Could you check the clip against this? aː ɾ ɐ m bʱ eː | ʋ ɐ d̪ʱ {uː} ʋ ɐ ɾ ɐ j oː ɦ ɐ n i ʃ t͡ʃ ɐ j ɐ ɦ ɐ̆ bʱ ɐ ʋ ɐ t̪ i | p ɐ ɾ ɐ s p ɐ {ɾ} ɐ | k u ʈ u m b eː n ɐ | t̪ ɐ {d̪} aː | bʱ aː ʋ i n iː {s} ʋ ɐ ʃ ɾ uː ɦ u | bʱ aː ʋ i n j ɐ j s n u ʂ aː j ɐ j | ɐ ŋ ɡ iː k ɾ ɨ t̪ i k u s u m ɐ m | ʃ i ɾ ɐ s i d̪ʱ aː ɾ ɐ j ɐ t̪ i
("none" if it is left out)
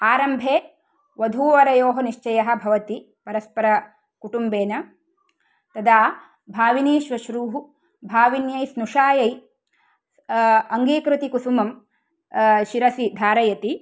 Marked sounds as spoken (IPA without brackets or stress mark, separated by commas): uː, ɾ, d̪, ʃ